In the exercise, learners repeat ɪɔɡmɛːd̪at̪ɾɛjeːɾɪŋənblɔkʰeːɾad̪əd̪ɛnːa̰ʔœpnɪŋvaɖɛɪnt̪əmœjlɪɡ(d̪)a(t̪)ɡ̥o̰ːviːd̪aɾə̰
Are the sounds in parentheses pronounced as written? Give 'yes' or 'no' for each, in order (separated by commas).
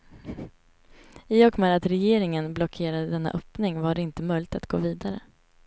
no, yes